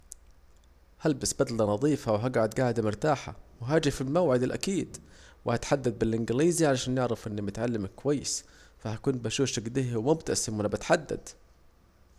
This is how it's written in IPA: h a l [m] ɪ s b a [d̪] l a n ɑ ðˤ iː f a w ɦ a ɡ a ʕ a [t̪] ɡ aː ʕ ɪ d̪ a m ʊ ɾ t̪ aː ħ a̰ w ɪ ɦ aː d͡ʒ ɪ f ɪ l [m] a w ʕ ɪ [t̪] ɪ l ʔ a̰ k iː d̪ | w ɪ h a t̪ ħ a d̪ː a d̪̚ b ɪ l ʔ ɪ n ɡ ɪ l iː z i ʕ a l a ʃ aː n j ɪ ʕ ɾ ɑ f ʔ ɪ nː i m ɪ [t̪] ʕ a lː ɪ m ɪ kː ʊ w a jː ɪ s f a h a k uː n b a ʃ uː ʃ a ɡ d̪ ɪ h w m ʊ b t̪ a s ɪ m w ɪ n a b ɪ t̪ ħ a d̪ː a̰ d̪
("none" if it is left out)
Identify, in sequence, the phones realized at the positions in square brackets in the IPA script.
b, d̪, d̪, m, d̪, t̪

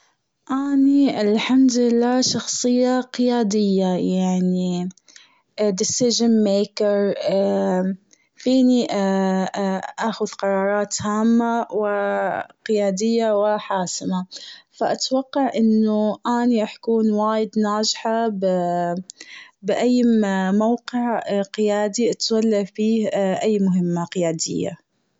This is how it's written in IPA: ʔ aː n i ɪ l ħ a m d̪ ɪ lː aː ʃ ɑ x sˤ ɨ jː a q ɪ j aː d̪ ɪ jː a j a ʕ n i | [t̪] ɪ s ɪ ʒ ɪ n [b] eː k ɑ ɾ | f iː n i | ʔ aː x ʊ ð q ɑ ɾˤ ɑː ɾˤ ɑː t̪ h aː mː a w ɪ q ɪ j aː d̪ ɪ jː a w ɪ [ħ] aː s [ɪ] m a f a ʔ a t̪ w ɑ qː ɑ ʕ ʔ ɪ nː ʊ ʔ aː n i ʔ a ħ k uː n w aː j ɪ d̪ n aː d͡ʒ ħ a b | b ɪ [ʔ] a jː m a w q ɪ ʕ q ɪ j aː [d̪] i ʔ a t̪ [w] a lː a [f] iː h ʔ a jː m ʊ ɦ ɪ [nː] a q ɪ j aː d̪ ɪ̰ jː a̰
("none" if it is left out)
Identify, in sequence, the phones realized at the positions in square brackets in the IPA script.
d̪, m, ħ, ɪ, ʔ, d̪, w, f, mː

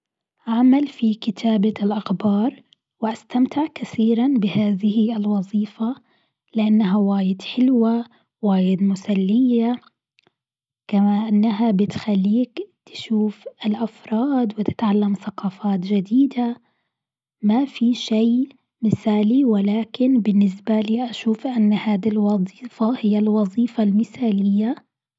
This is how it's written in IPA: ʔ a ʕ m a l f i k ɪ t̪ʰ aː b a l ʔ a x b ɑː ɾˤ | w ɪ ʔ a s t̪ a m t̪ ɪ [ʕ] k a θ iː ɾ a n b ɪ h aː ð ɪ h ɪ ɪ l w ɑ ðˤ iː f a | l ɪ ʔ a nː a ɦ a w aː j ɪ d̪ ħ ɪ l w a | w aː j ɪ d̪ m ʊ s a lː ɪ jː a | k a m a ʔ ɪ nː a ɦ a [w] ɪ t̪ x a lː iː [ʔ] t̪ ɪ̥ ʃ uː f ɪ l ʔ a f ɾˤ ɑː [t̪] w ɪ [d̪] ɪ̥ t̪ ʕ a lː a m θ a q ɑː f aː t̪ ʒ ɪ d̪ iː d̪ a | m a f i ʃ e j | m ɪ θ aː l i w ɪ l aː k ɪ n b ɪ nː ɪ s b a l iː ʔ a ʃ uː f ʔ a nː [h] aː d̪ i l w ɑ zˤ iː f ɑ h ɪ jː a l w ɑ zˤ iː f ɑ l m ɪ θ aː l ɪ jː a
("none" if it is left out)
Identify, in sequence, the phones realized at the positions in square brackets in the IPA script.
ʕ, b, k, d̪, t̪, h

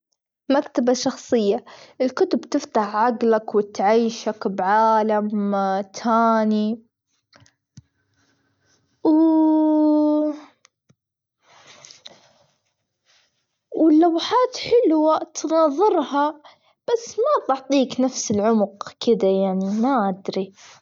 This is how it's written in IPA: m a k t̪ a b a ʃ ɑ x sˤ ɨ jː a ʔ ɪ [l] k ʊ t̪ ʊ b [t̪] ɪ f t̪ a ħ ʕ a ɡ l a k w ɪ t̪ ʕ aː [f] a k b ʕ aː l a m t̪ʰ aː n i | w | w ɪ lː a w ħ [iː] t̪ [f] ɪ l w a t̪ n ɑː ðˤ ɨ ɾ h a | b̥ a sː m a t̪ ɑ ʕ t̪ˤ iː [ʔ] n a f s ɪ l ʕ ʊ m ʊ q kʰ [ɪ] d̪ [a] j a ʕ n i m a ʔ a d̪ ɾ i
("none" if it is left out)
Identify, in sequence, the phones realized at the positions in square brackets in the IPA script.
l, t̪, ʃ, aː, ħ, k, ɪ, a

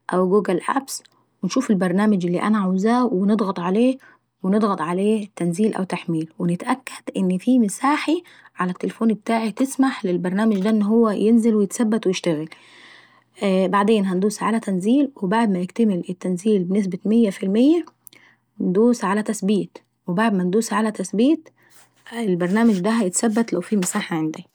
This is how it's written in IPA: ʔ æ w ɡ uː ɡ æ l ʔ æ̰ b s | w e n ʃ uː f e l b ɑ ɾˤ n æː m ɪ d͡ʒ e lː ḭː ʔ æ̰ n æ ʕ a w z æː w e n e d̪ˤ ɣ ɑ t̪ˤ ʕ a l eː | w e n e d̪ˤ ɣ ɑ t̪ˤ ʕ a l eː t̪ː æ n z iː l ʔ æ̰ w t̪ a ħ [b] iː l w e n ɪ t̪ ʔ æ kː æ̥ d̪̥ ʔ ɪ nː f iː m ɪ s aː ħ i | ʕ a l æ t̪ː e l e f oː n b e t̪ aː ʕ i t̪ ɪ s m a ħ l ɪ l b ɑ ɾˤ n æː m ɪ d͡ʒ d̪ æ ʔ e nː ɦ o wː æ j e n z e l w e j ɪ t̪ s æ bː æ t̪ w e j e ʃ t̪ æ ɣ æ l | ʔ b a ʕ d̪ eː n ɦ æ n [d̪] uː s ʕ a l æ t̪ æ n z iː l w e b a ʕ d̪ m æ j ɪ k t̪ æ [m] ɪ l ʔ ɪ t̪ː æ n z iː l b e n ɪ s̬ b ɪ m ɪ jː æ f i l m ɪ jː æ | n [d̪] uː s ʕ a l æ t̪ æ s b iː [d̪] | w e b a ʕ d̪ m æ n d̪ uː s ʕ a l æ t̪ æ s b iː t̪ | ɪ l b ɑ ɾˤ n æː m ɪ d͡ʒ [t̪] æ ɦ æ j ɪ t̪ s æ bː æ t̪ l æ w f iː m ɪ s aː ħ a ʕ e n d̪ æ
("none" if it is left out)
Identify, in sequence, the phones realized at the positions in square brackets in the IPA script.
m, d̪, m, d̪, t̪, d̪

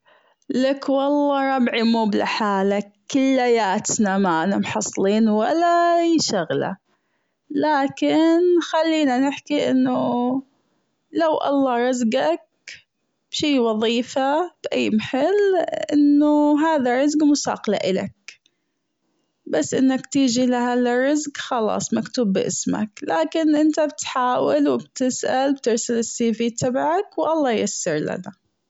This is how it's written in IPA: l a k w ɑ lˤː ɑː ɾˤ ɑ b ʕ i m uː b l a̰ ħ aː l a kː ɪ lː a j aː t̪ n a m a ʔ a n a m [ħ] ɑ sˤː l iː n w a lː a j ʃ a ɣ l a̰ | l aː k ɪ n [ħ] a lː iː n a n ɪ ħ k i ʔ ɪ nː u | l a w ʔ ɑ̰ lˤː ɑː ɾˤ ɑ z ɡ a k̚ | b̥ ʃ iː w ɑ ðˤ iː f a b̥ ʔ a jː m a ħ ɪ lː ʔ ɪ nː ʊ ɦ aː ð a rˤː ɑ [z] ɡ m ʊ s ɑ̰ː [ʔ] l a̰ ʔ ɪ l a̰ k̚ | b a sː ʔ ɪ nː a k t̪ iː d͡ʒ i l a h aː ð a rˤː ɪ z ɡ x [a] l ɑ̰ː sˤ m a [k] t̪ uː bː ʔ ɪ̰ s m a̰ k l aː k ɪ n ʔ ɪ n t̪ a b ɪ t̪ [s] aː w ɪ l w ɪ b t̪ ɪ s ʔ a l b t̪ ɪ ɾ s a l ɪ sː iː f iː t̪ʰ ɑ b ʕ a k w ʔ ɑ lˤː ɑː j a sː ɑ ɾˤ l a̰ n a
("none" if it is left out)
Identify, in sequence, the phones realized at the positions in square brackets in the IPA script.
ħ, x, z, q, ɑ, k, ħ

